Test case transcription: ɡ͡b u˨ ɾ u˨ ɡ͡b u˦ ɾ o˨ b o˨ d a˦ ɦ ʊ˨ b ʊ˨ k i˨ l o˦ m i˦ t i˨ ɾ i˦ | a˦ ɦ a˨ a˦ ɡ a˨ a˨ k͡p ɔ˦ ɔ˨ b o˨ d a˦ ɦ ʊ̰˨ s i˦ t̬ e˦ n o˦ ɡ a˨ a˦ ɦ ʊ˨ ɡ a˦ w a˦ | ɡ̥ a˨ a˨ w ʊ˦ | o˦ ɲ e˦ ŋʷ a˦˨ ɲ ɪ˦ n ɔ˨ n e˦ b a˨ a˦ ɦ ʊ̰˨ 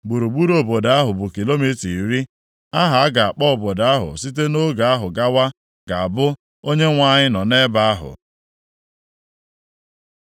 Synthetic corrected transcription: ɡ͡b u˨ ɾ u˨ ɡ͡b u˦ ɾ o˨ b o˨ d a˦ ɦ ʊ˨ b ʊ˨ k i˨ l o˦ m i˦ t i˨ ɾ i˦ | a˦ ɦ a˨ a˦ ɡ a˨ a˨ k͡p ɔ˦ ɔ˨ b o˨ d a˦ ɦ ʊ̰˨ s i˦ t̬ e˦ n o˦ ɡ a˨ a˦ ɦ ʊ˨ ɡ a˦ w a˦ | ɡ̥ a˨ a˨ b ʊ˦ | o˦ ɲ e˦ ŋʷ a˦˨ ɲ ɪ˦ n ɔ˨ n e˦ b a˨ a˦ ɦ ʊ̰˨